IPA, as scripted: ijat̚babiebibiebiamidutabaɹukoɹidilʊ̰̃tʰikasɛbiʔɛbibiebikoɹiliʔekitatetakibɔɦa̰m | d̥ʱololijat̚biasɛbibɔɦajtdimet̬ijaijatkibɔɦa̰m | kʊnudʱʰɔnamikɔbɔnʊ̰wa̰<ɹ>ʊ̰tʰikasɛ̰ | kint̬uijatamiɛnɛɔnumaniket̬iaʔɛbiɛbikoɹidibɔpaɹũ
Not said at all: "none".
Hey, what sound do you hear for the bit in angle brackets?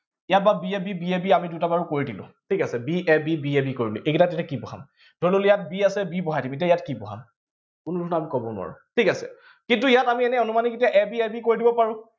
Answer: ɹ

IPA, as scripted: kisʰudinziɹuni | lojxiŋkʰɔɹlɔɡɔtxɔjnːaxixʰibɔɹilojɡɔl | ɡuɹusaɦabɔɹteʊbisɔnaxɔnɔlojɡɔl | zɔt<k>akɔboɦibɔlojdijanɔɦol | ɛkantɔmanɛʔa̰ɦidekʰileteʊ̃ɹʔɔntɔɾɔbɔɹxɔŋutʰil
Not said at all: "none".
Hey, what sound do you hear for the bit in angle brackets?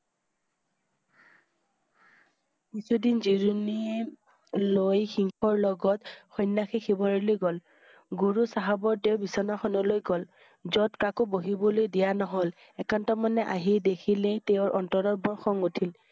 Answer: k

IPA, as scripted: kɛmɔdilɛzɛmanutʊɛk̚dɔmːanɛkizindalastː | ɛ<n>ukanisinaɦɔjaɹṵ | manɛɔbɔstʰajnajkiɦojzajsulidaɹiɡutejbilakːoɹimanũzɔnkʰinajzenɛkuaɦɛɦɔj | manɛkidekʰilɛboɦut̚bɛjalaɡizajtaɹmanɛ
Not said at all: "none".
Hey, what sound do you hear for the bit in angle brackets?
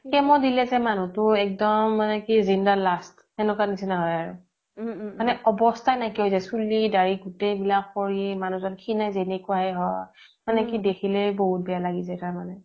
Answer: n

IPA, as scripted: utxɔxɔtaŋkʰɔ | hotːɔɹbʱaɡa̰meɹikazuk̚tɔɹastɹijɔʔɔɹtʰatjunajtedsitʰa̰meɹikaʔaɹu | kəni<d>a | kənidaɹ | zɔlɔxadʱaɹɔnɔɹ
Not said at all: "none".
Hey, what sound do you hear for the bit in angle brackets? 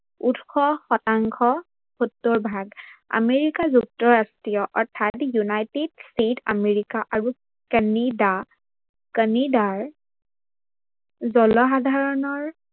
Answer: d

